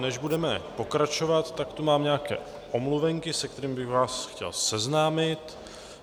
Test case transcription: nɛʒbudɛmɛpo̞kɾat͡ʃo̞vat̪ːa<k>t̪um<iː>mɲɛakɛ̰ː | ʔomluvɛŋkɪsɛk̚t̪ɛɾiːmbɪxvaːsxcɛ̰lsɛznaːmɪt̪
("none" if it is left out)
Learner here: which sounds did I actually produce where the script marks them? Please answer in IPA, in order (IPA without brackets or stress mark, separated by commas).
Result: k, aː